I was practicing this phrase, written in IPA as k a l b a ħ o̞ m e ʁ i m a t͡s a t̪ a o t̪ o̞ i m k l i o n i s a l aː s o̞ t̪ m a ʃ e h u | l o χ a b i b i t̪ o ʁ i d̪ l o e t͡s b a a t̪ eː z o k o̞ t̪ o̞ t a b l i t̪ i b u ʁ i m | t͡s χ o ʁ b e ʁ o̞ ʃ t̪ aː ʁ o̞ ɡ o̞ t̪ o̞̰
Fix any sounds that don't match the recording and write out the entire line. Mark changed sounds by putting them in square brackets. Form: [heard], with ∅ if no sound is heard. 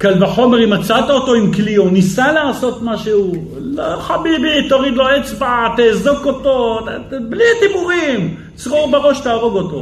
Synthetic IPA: k a l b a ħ o̞ m e ʁ i m a t͡s a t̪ a o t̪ o̞ i m k l i o n i s a l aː s o̞ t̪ m a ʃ e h u | l o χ a b i b i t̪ o ʁ i d̪ l o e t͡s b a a t̪ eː z o k o̞ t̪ o̞ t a b l i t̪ i b u ʁ i m | t͡s [ʁ] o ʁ b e ʁ o̞ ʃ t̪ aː ʁ o̞ ɡ o̞ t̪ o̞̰